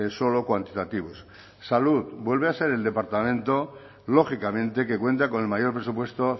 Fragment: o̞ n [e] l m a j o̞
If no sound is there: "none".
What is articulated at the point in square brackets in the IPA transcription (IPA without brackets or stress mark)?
e